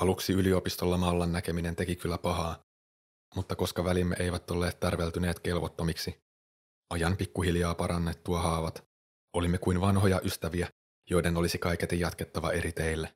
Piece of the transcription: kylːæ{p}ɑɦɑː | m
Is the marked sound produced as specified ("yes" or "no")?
yes